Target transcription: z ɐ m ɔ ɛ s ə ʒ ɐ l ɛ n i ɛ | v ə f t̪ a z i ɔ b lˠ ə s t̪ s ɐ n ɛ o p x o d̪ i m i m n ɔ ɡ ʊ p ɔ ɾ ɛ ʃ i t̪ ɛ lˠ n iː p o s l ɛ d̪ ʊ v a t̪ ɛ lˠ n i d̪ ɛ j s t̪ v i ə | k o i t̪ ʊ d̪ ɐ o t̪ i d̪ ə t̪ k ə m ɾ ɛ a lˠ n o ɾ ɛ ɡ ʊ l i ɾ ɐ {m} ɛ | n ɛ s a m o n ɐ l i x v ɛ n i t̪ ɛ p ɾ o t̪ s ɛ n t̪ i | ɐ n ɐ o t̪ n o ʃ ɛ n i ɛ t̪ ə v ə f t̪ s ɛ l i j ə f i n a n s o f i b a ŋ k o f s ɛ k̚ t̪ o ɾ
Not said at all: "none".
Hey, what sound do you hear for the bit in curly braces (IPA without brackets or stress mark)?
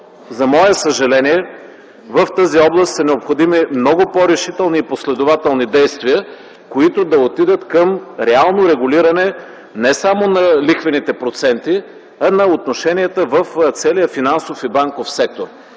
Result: n